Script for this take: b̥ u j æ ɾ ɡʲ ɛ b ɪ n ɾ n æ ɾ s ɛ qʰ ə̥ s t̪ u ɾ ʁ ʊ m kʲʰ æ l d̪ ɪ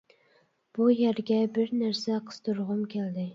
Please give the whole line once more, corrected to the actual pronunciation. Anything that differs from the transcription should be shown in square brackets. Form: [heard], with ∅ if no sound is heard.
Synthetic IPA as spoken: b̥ u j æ ɾ ɡʲ ɛ b ɪ [∅] ɾ n æ ɾ s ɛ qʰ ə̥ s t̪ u ɾ ʁ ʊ m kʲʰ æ l d̪ ɪ